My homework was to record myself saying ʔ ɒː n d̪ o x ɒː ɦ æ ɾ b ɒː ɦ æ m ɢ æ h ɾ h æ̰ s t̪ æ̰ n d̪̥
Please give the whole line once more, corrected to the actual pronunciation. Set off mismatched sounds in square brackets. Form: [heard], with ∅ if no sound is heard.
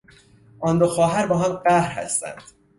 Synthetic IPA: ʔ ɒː n d̪ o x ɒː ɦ æ ɾ b ɒː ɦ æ m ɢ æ h ɾ h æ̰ s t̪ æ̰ n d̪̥